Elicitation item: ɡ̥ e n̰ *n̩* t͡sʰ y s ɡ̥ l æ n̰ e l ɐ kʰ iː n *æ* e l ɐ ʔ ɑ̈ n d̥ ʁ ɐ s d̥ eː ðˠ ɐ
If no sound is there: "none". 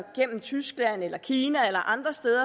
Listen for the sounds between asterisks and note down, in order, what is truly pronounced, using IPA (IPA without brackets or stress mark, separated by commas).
m̩, æ